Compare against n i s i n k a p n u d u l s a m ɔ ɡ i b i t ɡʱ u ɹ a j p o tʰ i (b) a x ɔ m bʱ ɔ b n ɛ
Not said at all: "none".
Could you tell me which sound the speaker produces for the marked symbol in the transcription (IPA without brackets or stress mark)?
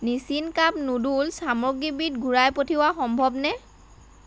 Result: w